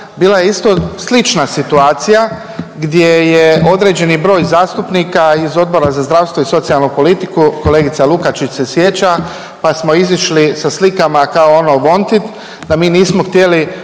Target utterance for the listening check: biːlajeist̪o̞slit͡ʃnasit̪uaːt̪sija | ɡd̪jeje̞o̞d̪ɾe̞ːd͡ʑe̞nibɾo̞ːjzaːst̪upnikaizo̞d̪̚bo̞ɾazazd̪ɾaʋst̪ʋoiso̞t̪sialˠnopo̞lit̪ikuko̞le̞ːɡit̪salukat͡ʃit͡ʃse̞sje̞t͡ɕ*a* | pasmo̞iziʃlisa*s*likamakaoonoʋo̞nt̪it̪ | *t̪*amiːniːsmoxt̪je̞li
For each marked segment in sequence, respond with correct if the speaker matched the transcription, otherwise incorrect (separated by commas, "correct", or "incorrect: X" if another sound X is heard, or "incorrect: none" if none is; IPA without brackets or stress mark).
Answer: correct, correct, incorrect: d̪